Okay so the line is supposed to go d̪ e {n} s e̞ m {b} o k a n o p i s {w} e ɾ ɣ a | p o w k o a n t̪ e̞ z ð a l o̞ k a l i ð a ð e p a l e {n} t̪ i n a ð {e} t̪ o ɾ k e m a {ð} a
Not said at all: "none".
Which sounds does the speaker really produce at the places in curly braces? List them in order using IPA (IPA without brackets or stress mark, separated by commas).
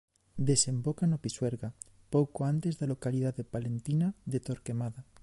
none, b, w, n, e, ð